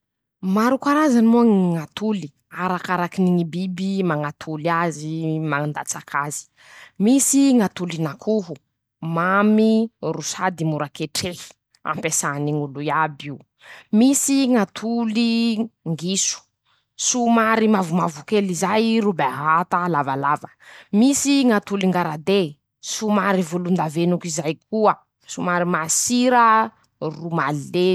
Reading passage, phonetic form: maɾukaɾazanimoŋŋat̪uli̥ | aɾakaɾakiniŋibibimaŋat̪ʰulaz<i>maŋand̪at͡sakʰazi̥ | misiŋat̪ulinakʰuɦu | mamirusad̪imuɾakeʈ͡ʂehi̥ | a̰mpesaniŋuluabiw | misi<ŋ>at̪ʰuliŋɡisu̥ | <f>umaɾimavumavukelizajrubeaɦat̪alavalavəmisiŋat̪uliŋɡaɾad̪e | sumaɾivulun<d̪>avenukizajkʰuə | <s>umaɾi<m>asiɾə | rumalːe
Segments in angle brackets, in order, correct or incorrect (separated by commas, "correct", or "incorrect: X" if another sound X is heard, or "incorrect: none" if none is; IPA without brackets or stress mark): correct, correct, incorrect: s, correct, correct, correct